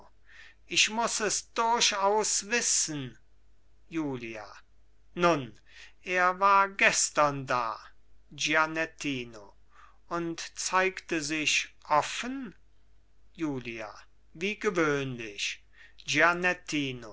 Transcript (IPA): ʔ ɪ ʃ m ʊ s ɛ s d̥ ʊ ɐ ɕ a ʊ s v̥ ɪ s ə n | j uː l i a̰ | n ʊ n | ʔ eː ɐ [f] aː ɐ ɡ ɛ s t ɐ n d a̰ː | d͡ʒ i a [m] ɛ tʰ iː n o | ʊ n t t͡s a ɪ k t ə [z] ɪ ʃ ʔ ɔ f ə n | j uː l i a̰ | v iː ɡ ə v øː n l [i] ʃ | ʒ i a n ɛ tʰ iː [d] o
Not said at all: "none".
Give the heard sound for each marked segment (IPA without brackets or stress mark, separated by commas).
v, n, z, ɪ, n